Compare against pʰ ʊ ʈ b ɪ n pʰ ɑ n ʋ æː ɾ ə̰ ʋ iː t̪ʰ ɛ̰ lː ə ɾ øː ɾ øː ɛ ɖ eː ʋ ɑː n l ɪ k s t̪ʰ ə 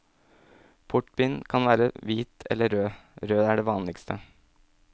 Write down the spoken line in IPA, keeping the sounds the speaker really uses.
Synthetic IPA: pʰ ʊ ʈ b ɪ n kʰ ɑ n ʋ æː ɾ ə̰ ʋ iː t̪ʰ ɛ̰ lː ə ɾ øː ɾ øː æ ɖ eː ʋ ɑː n l ɪ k s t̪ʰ ə